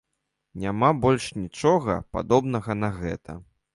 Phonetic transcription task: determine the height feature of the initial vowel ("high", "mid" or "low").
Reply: low